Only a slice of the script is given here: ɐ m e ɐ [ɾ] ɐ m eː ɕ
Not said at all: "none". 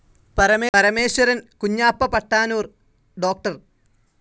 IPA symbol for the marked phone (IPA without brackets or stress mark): ɾ